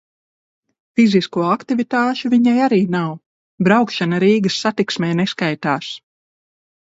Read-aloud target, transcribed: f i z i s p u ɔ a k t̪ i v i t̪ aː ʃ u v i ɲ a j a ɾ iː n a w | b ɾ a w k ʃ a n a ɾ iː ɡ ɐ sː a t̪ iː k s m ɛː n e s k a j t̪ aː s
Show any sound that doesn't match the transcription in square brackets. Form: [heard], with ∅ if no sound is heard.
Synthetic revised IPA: f i z i s [k] u ɔ a k t̪ i v i t̪ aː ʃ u v i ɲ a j a ɾ iː n a w | b ɾ a w k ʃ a n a ɾ iː ɡ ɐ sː a t̪ [i] k s m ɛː n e s k a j t̪ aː s